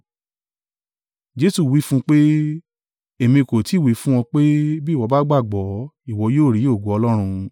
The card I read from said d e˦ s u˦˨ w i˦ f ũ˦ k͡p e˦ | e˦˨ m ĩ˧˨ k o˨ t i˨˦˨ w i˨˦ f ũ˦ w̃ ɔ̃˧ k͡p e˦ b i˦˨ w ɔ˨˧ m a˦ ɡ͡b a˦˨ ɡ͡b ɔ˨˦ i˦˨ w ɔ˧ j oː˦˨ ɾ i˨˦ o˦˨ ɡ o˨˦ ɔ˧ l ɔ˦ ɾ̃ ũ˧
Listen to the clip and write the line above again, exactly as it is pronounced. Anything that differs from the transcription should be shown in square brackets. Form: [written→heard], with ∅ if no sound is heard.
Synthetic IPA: [d→d͡ʒ] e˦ s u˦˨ w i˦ f ũ˦ k͡p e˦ | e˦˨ m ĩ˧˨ k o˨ t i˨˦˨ w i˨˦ f ũ˦ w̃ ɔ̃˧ k͡p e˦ b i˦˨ w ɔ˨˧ [m→b] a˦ ɡ͡b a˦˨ ɡ͡b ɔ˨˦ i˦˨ w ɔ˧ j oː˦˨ ɾ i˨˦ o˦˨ ɡ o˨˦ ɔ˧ l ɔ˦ ɾ̃ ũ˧